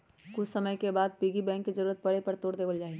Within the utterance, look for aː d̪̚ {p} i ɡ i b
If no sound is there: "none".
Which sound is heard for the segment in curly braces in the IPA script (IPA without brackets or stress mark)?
p